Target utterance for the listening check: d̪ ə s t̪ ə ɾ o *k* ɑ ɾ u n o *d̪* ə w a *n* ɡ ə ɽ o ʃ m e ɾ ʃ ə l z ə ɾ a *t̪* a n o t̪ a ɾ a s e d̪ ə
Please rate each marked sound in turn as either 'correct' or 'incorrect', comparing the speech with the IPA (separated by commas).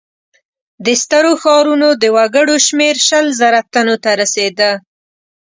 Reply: incorrect, correct, incorrect, correct